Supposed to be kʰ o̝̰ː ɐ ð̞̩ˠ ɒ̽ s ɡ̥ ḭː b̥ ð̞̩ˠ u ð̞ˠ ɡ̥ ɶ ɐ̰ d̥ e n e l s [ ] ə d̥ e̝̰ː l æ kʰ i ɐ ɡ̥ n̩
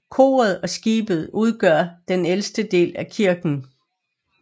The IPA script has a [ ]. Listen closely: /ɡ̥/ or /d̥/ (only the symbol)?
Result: d̥